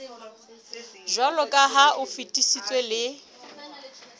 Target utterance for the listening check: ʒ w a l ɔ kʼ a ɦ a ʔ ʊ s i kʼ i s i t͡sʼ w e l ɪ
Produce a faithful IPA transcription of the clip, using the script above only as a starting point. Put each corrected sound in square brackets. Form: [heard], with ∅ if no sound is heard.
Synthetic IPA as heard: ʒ w a l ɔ kʼ a ɦ a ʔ ʊ [f] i [tʼ] i s i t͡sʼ w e l ɪ